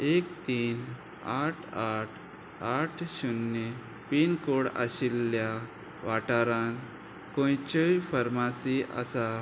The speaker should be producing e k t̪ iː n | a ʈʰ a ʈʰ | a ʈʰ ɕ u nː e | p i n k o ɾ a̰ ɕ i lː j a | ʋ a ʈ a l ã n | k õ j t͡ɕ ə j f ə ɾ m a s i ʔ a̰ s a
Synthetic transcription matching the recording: e k t̪ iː n | a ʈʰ a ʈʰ | a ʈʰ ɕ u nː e | p i n k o ɽ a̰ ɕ i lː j a | ʋ a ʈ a ɾ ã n | k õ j t͡ɕ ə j f ə ɾ m a s i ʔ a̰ s a